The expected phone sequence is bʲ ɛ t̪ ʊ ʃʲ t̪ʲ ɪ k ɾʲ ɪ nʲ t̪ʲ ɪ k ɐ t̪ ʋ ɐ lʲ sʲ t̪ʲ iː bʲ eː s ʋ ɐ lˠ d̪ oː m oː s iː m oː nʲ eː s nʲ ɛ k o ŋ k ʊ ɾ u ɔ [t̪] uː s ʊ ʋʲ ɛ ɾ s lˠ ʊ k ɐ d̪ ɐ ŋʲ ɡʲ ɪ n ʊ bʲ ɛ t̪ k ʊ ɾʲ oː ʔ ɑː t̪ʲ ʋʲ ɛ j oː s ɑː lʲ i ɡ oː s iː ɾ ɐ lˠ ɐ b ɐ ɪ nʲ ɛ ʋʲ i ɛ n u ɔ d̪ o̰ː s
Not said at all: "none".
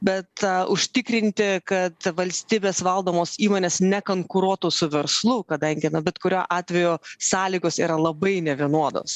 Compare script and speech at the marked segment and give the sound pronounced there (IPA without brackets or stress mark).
t̪